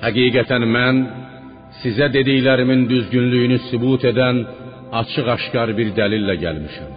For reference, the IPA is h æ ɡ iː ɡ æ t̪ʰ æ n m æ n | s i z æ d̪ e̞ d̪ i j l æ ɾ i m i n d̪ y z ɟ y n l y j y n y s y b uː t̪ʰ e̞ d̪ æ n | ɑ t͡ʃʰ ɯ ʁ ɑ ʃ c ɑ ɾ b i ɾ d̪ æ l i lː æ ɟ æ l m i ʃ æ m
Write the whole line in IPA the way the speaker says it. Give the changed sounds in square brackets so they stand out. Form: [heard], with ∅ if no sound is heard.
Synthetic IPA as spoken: h æ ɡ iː ɡ æ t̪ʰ æ n m æ n | s i z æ d̪ e̞ d̪ i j l æ ɾ i m i n d̪ y z ɟ y n l y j y n y s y b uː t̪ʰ e̞ d̪ æ n | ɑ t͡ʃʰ ɯ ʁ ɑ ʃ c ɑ ɾ b i ɾ d̪ æ l i lː æ ɟ æ l m i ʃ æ m